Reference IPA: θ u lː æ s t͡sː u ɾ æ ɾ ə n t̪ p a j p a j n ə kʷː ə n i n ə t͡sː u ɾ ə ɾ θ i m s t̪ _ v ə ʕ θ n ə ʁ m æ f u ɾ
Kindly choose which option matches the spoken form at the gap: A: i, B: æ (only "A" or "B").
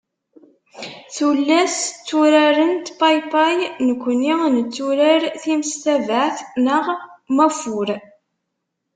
B